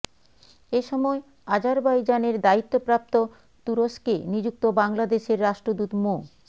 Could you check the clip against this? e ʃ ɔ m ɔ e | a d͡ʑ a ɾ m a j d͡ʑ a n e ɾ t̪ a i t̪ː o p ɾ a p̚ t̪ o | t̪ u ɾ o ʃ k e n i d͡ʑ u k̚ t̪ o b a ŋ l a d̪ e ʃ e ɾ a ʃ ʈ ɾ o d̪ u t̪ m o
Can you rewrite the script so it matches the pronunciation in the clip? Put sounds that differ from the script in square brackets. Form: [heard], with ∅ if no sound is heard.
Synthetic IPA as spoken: e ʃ ɔ m ɔ e | a d͡ʑ a ɾ [b] a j d͡ʑ a n e ɾ [d̪] a i t̪ː o p ɾ a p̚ t̪ o | t̪ u ɾ o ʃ k e n i d͡ʑ u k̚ t̪ o b a ŋ l a d̪ e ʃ e [ɾː] a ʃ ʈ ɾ o d̪ u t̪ m o